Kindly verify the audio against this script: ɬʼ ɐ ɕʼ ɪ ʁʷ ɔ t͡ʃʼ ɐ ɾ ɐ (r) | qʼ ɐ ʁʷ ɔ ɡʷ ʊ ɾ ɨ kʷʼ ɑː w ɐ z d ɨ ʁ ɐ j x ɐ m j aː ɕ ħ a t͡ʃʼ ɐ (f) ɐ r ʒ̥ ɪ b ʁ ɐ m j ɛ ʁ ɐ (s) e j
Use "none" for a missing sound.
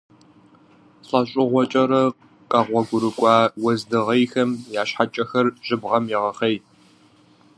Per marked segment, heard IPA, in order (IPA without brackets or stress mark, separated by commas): none, x, χ